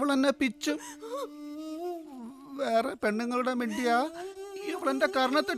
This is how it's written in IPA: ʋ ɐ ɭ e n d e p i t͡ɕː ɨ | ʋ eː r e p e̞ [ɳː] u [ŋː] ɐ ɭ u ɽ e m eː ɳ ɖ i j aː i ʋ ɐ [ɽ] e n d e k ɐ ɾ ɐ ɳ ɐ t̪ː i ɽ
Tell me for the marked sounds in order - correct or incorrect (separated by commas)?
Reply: correct, correct, incorrect